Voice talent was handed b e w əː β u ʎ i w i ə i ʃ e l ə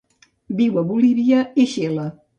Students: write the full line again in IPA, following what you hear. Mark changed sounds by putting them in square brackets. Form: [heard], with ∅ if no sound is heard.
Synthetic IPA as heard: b [i] w [ə] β u [l] i [β] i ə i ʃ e l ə